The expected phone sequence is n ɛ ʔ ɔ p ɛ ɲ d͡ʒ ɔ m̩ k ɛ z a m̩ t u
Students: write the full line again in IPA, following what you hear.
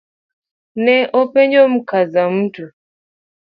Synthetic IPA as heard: n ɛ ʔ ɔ p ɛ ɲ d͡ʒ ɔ m̩ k a z a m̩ t u